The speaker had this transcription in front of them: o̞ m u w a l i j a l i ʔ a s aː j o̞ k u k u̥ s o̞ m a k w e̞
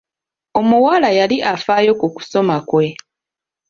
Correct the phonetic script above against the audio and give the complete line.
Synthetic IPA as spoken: o̞ m u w a l a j a l i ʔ a f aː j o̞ k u k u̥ s o̞ m a k w e̞